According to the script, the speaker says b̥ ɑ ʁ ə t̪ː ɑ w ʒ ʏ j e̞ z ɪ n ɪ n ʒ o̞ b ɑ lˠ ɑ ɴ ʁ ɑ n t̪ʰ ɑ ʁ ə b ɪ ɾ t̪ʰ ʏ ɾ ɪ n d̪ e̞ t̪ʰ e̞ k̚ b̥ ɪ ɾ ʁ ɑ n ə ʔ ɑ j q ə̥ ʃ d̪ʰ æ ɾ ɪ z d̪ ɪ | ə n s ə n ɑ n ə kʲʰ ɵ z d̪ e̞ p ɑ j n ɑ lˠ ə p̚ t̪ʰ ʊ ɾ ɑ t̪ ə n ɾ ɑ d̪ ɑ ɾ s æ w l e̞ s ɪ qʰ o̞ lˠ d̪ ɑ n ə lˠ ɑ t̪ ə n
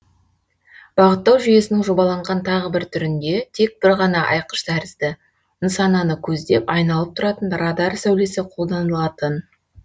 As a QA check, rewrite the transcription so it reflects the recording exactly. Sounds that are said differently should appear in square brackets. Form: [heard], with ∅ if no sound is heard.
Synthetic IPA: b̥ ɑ ʁ ə t̪ː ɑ w ʒ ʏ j e̞ [s] ɪ n ɪ [ŋ] ʒ o̞ b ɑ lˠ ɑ ɴ ʁ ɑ n t̪ʰ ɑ ʁ ə b ɪ ɾ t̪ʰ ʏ ɾ ɪ n d̪ e̞ t̪ʰ e̞ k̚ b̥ ɪ ɾ ʁ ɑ n [ɑ] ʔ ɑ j q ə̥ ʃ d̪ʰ æ ɾ ɪ z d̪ ɪ | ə n s [ɑ] n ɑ n ə kʲʰ ɵ z d̪ e̞ p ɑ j n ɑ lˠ ə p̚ t̪ʰ ʊ ɾ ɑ t̪ ə n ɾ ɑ d̪ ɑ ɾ s æ w l e̞ s ɪ qʰ o̞ lˠ d̪ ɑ n ə lˠ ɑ t̪ ə n